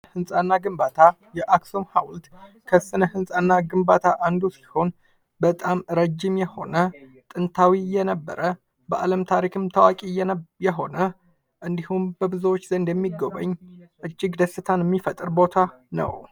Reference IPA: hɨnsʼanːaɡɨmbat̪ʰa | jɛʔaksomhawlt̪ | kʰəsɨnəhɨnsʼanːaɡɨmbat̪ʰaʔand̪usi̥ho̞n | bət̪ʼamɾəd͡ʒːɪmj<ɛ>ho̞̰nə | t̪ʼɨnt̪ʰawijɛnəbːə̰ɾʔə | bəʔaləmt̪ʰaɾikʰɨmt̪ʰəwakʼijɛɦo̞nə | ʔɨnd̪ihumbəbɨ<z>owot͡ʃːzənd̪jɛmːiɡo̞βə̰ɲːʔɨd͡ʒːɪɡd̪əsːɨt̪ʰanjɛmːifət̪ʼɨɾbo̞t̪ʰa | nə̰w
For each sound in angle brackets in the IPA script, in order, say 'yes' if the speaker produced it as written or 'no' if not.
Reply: yes, yes

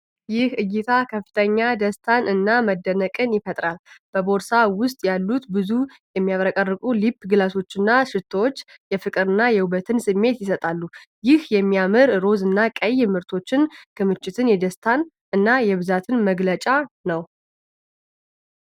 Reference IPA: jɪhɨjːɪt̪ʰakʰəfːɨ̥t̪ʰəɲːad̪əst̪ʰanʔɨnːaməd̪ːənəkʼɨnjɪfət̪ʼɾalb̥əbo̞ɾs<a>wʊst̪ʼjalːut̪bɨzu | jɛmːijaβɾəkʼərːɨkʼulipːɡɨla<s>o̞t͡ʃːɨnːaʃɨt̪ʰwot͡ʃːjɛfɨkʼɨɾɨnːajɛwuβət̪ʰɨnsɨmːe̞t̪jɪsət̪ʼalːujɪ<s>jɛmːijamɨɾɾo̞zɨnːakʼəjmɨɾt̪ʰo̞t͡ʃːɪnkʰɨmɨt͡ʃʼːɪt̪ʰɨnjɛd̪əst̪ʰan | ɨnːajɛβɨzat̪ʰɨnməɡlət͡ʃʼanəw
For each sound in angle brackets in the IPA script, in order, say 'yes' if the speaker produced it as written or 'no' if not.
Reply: yes, yes, no

